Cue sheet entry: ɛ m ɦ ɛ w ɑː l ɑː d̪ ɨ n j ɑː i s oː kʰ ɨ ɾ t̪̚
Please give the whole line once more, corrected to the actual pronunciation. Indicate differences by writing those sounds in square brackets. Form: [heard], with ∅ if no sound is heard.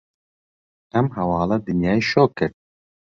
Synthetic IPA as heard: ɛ m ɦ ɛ w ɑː l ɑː d̪ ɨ n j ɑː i [ʃ] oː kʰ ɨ ɾ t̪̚